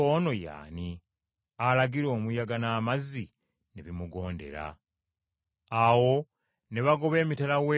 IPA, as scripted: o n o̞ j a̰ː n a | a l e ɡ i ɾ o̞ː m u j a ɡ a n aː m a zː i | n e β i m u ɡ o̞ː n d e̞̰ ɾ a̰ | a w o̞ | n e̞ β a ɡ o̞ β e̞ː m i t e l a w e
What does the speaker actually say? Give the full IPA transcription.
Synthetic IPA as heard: o n o̞ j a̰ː n i | a l a ɡ i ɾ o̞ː m u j a ɡ a n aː m a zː i | n e β i m u ɡ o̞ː n d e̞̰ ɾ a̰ | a w o̞ | n e̞ β a ɡ o̞ β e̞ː m i t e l a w e